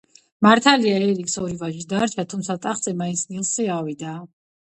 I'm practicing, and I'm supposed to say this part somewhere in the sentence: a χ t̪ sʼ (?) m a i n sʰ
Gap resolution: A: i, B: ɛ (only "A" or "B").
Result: B